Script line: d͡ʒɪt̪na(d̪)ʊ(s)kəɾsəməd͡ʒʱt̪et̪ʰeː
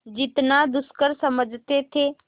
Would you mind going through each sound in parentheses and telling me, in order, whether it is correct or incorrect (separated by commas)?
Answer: correct, correct